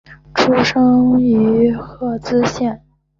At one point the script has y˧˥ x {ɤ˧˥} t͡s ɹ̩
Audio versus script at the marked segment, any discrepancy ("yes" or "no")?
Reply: yes